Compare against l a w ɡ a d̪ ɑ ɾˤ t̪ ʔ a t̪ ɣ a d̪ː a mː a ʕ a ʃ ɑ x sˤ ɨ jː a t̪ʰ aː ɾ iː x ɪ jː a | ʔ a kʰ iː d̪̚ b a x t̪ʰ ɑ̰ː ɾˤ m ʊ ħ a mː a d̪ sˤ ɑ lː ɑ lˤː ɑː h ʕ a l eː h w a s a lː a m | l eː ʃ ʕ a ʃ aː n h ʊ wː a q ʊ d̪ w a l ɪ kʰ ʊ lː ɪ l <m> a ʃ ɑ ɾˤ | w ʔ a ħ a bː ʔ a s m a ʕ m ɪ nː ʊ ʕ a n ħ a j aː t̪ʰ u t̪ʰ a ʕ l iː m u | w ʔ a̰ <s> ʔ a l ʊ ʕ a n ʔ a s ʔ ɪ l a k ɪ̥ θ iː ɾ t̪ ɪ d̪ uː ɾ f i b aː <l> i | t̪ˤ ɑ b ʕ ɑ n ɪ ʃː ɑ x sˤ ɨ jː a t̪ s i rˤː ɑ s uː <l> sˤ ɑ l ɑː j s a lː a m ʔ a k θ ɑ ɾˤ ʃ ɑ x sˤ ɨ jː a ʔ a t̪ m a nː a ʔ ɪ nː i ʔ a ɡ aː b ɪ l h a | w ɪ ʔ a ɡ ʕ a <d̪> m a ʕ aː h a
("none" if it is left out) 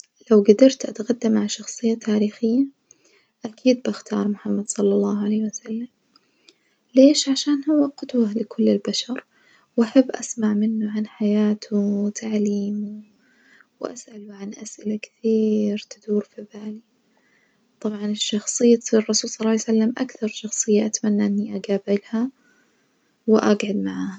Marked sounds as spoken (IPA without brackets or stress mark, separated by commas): b, s, l, l, d̪